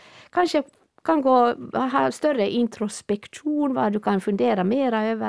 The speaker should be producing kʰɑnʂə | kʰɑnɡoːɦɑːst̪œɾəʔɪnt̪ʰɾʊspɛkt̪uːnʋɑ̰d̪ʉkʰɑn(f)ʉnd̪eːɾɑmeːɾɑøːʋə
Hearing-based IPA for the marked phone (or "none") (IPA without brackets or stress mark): f